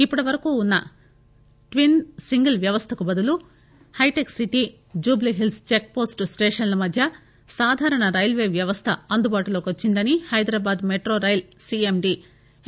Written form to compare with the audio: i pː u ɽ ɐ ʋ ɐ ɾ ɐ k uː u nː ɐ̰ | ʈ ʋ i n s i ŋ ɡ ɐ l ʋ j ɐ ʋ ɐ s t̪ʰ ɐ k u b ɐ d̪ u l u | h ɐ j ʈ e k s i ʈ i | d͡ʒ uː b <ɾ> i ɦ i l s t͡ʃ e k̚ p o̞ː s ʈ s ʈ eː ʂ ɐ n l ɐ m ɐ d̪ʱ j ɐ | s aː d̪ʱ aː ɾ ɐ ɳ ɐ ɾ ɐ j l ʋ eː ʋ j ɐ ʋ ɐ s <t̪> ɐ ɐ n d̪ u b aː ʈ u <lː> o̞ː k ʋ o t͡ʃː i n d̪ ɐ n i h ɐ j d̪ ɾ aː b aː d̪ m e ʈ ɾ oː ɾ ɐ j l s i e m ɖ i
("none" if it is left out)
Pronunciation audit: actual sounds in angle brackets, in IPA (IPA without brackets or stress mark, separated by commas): l, t̪ʰ, l